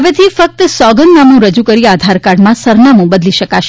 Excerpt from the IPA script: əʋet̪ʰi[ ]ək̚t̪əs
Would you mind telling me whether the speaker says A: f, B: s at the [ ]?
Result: A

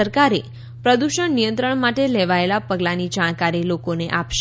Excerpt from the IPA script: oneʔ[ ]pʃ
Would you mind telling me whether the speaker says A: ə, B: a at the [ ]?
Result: B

